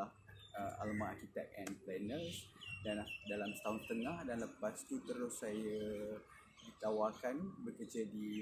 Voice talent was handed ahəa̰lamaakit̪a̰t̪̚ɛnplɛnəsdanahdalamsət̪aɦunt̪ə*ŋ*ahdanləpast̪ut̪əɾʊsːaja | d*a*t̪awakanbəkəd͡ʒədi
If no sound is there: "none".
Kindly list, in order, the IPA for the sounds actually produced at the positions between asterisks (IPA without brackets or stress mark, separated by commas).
ŋ, i